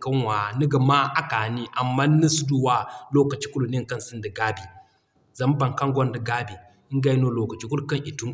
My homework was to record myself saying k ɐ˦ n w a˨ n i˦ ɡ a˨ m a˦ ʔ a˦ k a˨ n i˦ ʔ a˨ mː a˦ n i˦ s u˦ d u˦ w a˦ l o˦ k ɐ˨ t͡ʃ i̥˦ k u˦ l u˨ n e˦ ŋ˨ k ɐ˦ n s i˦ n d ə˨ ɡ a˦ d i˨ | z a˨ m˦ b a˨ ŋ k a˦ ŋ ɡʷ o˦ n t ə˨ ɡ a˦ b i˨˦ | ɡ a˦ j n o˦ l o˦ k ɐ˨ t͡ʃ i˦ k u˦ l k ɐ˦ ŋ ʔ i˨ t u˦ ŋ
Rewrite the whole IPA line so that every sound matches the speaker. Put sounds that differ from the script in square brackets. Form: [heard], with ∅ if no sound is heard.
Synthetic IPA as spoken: k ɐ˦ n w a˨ n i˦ ɡ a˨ m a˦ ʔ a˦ k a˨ n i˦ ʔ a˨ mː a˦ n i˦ s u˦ d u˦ w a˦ l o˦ k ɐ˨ t͡ʃ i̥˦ k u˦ l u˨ n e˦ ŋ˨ k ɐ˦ n s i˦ n d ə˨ ɡ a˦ [b] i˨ | z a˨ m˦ b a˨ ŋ k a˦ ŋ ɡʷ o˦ n [d] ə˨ ɡ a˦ b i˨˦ | ɡ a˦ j n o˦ l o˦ k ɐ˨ t͡ʃ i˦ k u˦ l k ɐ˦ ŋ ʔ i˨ t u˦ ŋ